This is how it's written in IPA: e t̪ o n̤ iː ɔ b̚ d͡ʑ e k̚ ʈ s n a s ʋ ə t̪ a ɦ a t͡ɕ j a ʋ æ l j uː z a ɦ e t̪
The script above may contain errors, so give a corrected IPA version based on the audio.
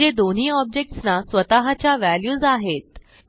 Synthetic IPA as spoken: e d̪ o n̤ iː ɔ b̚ d͡ʑ e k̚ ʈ s n a s ʋ ə t̪ a ɦ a t͡ɕ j a ʋ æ l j uː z a ɦ e t̪